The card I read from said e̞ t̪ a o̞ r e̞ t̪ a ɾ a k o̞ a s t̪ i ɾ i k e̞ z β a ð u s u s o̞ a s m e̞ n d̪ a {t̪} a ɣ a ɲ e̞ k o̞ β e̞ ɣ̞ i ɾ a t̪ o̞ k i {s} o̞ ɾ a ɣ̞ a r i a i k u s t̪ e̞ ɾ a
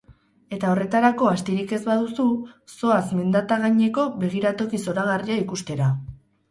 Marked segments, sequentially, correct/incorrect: correct, correct

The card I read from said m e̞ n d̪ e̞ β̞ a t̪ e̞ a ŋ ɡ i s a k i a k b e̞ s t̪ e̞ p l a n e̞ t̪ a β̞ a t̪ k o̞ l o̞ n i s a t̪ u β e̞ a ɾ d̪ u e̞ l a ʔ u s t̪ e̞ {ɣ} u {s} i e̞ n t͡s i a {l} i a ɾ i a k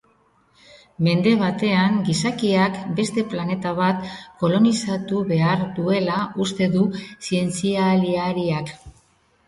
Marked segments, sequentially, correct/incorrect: incorrect: ð, correct, correct

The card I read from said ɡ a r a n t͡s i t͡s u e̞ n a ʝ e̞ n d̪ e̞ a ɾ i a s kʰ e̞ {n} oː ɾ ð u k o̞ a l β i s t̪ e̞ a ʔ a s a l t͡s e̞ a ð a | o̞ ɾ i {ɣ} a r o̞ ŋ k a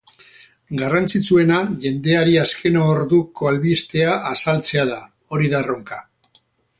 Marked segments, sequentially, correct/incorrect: correct, incorrect: ð

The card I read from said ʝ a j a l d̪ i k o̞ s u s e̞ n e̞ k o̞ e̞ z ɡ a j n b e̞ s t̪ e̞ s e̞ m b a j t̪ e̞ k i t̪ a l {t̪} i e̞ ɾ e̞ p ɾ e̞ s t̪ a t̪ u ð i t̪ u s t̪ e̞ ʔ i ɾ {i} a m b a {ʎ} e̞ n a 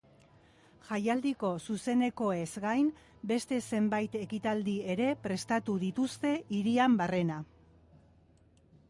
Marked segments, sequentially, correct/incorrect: incorrect: d̪, correct, incorrect: r

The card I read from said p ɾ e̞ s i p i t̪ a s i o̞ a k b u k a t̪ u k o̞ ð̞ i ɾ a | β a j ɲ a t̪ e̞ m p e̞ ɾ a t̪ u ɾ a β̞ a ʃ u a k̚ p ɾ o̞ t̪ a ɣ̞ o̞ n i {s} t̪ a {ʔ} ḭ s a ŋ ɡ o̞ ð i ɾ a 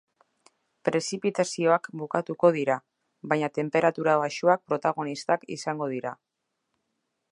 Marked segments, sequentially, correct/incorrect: correct, incorrect: k

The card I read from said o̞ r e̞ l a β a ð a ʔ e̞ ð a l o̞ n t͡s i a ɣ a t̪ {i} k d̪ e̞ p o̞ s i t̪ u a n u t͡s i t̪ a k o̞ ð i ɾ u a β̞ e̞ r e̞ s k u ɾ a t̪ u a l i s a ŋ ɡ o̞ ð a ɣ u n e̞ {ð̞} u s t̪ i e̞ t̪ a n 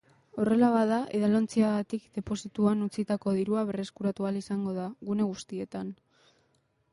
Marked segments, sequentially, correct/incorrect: correct, incorrect: ɣ̞

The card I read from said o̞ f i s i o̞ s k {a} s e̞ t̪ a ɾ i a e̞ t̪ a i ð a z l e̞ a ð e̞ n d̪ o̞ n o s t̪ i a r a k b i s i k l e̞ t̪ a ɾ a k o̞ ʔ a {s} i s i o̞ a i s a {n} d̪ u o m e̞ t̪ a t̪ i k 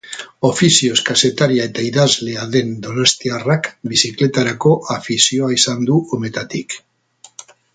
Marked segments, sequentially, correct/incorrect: correct, incorrect: f, correct

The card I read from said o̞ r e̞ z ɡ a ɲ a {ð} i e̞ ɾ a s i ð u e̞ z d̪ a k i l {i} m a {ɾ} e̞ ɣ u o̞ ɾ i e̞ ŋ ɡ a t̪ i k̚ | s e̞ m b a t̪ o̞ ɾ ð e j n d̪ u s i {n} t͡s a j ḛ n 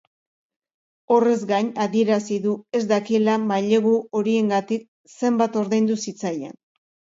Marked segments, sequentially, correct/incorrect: correct, incorrect: a, incorrect: ʎ, incorrect: none

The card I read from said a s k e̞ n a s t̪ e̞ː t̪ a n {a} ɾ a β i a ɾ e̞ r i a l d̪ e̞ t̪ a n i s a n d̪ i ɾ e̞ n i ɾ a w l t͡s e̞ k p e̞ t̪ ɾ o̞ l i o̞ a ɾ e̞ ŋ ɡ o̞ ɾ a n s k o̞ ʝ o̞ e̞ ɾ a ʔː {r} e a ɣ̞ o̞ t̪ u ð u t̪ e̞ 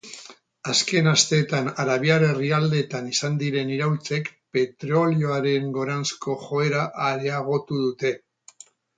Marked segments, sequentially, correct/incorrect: correct, incorrect: ɾ

